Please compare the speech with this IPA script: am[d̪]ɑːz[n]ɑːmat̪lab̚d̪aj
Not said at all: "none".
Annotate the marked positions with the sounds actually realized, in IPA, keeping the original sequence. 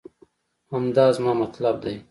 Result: d̪, m

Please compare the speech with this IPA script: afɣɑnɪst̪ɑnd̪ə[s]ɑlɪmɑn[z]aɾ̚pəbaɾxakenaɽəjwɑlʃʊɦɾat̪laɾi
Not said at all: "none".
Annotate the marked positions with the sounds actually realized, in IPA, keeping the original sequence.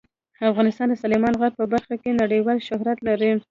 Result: s, ɣ

